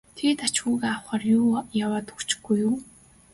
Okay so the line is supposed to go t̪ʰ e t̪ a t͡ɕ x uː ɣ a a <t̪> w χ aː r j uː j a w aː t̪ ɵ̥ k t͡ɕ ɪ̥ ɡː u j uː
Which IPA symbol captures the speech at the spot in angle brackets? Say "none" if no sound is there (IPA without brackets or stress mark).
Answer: none